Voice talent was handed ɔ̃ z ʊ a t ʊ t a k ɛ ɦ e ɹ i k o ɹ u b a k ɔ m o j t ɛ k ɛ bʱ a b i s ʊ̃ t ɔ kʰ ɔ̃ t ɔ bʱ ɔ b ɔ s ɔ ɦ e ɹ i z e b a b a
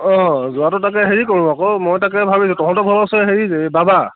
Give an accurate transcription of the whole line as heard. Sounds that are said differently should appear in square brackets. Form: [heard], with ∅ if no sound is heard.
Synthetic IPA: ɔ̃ z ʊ a t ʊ t a k ɛ ɦ e ɹ i k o ɹ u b a k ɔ m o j t [a] k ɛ bʱ a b i s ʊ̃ t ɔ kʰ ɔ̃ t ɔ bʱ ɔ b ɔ s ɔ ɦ e ɹ i z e b a b a